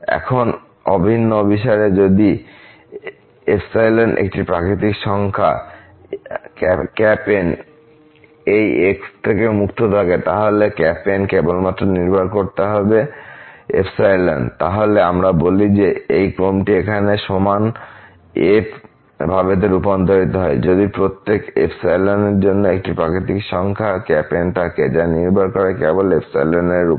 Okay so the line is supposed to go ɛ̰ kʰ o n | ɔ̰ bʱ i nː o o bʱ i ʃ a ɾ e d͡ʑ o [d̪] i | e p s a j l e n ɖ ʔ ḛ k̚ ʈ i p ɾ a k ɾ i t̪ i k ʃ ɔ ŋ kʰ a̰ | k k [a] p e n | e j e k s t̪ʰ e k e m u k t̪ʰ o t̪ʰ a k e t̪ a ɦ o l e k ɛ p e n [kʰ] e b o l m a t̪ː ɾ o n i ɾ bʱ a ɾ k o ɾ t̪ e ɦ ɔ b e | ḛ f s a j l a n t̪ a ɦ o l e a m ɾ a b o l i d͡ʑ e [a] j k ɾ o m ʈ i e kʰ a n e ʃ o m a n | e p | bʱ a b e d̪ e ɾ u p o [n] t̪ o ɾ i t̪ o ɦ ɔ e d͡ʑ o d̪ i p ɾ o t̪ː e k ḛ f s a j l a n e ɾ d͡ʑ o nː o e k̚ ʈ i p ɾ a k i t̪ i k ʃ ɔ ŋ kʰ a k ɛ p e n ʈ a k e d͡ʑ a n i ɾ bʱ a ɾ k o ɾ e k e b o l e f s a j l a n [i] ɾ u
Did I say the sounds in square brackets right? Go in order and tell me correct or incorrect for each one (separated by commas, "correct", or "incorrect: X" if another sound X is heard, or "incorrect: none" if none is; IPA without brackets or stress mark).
correct, incorrect: ɛ, incorrect: k, incorrect: e, correct, incorrect: e